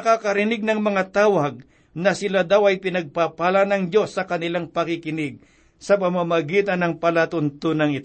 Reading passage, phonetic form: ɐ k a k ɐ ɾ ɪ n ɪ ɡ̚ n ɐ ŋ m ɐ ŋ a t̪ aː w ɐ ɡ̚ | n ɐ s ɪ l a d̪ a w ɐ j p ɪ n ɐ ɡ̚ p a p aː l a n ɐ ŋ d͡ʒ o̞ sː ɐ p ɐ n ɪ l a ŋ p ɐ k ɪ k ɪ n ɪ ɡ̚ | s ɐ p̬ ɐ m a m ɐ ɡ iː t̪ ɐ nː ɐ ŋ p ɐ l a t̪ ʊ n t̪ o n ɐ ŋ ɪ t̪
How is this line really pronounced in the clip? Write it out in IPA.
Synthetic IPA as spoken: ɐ k a k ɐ ɾ ɪ n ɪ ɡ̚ n ɐ ŋ m ɐ ŋ a t̪ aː w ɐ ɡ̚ | n ɐ s ɪ l a d̪ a w ɐ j p ɪ n ɐ ɡ̚ p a p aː l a n ɐ ŋ d͡ʒ o̞ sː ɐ k ɐ n ɪ l a ŋ p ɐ k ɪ k ɪ n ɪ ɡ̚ | s ɐ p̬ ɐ m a m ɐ ɡ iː t̪ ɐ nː ɐ ŋ p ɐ l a t̪ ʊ n t̪ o n ɐ ŋ ɪ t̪